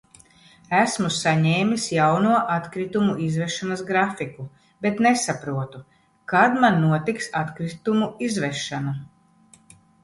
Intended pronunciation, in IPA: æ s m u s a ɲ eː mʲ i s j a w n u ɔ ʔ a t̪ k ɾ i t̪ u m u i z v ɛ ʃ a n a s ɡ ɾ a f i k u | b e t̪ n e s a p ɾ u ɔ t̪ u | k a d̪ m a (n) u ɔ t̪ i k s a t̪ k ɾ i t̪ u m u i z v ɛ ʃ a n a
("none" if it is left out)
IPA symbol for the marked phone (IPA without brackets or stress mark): nː